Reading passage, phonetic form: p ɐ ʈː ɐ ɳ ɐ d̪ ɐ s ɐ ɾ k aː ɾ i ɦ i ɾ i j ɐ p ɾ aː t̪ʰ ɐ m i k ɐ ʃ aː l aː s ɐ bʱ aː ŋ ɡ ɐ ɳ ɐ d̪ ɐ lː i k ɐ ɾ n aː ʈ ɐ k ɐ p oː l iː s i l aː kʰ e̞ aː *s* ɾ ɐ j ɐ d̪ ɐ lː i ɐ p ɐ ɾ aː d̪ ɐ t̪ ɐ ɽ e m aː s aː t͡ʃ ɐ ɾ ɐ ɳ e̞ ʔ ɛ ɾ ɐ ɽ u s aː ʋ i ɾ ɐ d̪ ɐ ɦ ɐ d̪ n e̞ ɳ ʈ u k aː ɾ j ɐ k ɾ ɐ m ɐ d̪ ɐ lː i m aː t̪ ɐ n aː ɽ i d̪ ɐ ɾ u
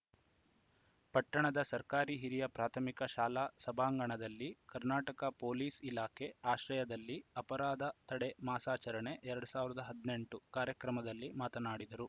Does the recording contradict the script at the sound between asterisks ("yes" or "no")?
yes